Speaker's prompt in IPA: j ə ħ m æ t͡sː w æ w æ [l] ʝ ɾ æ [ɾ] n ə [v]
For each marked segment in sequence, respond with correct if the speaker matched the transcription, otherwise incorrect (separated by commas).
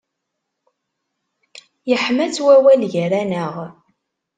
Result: correct, incorrect, incorrect